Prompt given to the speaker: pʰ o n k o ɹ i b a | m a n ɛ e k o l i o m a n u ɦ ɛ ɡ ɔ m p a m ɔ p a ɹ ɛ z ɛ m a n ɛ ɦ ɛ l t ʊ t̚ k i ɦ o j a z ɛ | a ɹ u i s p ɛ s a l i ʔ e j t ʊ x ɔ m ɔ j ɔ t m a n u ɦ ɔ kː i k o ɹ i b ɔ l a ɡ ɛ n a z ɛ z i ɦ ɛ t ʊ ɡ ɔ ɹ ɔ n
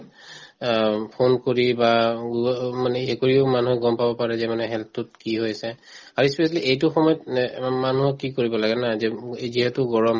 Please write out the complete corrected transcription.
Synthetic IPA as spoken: pʰ o n k o ɹ i b a | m a n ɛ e k o ɹ i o m a n u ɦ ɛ ɡ ɔ m p a b ɔ p a ɹ ɛ z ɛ m a n ɛ ɦ ɛ l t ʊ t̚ k i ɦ o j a s ɛ | a ɹ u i s p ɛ s a l i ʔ e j t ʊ x ɔ m ɔ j ɔ t m a n u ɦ ɔ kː i k o ɹ i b ɔ l a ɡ ɛ n a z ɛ z i ɦ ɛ t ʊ ɡ ɔ ɹ ɔ m